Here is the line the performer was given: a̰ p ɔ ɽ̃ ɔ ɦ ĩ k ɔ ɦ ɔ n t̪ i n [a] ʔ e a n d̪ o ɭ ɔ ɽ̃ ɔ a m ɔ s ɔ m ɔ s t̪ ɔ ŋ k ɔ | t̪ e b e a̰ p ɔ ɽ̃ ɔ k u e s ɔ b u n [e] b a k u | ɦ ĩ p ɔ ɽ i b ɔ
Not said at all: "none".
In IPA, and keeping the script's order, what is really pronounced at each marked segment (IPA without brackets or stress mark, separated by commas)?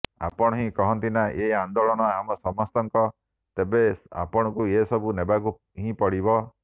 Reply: a, e